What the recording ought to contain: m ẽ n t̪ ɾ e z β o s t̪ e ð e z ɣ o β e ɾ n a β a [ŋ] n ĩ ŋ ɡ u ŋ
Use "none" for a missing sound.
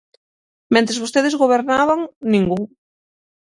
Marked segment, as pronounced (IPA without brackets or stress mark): ŋ